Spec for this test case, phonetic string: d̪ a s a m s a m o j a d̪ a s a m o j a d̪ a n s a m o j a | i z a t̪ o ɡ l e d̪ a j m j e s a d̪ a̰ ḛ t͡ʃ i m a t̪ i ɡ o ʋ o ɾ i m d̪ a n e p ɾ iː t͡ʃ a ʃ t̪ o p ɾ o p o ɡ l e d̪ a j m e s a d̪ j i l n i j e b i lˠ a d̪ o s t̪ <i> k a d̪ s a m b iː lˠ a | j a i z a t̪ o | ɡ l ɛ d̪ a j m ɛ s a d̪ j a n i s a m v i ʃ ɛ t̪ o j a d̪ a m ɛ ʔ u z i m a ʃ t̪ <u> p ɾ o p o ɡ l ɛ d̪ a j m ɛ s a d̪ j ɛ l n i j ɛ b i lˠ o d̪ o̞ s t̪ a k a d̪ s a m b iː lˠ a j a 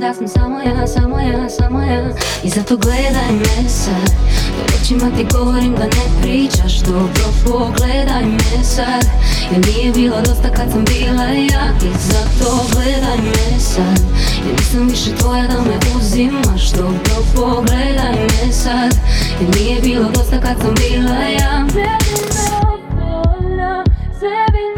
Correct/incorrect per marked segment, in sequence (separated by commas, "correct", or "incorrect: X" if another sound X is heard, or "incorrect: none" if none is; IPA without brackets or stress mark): incorrect: a, incorrect: o